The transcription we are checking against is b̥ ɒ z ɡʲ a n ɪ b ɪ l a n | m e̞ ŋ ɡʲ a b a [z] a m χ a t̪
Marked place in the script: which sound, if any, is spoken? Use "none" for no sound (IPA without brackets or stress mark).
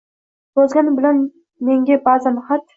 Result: z